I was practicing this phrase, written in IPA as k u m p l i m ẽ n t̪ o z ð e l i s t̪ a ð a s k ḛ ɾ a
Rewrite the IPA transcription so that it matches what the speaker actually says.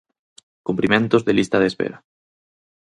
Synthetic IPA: k u m p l i m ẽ n t̪ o z ð e l i s t̪ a ð e s p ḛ ɾ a